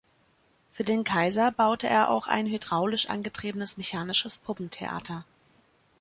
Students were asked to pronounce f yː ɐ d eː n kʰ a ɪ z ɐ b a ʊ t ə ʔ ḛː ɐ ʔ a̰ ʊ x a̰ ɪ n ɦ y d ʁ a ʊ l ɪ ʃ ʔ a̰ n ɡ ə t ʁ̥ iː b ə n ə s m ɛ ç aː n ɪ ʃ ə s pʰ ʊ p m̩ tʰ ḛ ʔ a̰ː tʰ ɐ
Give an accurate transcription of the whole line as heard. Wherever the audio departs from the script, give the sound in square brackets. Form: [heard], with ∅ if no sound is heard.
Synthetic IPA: f yː ɐ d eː n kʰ a ɪ z ɐ b a ʊ t ə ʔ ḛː ɐ ʔ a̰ ʊ x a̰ ɪ n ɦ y d ʁ a ʊ l ɪ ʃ ʔ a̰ n ɡ ə t ʁ̥ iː b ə n ə s m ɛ ç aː n ɪ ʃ ə s pʰ ʊ p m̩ tʰ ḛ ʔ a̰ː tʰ ɐ